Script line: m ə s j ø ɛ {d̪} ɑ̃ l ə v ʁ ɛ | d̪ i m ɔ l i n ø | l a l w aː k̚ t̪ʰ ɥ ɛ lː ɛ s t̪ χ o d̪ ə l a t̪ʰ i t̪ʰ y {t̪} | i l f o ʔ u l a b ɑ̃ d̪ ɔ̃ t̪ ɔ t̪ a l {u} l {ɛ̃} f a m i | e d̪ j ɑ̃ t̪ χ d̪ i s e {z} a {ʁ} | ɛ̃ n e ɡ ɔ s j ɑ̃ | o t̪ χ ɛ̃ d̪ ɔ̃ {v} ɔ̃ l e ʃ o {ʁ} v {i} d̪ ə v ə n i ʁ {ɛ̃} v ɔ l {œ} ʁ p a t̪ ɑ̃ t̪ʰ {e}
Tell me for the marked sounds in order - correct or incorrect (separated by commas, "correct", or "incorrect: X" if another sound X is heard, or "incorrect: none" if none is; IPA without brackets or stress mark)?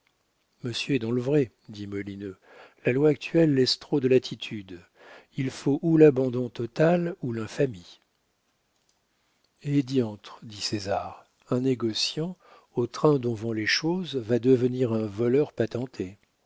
correct, incorrect: d̪, correct, correct, correct, correct, correct, incorrect: z, incorrect: a, correct, correct, correct